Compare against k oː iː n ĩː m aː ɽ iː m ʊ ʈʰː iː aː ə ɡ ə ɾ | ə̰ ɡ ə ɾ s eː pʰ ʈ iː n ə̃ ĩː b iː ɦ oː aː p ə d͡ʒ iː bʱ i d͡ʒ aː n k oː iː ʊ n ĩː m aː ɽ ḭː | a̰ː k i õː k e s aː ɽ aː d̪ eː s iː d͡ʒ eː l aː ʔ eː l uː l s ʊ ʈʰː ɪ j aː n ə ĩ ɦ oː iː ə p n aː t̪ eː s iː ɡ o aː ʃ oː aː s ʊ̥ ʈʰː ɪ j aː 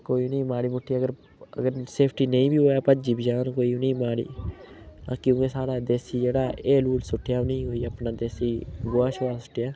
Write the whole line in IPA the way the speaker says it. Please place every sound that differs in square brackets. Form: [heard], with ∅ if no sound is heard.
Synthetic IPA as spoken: k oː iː n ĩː m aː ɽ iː m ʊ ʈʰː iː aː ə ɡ ə ɾ | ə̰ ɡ ə ɾ s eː pʰ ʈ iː n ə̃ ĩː b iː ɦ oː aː p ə d͡ʒ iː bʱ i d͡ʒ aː n k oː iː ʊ n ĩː m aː ɽ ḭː | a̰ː k [j] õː k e s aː ɽ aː d̪ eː s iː d͡ʒ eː [ɽ] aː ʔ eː l uː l s ʊ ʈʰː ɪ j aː n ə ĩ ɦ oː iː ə p n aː [d̪] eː s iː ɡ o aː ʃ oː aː s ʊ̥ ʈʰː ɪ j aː